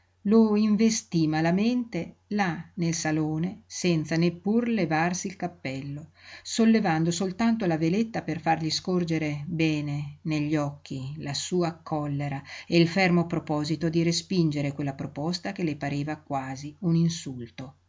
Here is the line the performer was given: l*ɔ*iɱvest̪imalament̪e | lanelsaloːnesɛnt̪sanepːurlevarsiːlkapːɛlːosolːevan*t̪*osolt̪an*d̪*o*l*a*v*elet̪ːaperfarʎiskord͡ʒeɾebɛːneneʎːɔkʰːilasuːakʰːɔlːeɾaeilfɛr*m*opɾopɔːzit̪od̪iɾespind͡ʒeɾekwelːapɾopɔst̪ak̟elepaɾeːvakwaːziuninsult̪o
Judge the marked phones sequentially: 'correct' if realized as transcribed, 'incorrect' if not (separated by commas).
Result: incorrect, incorrect, incorrect, correct, correct, correct